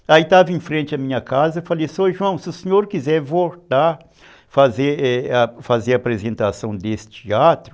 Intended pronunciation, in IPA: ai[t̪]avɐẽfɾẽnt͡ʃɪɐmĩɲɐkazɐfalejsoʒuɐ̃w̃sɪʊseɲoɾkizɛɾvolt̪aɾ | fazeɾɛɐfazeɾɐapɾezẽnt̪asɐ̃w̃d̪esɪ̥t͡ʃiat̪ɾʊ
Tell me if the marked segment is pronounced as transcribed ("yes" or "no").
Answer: yes